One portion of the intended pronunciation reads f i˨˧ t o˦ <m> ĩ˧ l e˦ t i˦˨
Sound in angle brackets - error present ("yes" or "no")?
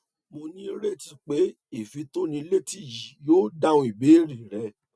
yes